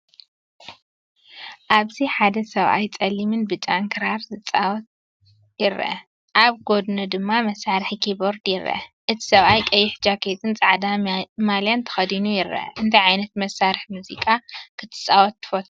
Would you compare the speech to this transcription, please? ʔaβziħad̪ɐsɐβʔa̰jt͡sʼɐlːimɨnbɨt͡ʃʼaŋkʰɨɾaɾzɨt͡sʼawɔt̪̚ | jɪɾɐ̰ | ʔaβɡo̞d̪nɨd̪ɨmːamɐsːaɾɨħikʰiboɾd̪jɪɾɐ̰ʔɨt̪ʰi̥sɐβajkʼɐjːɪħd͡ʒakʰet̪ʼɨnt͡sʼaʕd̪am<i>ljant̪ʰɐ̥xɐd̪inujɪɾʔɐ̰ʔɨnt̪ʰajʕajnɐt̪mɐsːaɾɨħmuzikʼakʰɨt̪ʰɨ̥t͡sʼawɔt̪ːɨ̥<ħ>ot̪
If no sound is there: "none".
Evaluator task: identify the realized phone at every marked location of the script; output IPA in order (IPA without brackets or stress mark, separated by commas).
a, f